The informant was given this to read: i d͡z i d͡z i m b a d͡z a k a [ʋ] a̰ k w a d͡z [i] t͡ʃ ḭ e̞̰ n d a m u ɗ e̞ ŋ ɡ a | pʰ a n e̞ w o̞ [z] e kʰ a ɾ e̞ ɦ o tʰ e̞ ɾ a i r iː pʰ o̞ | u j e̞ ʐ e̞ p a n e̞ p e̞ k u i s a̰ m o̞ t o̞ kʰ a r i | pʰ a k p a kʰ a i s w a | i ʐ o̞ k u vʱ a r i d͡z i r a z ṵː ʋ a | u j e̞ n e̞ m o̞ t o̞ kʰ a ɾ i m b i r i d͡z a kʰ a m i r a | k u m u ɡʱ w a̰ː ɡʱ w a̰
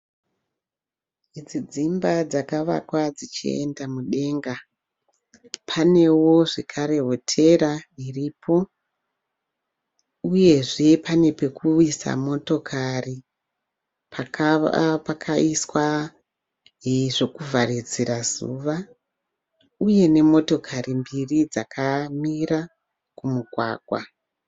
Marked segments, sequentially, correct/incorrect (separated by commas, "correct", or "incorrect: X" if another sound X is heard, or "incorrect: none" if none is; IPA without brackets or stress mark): correct, correct, incorrect: ʐ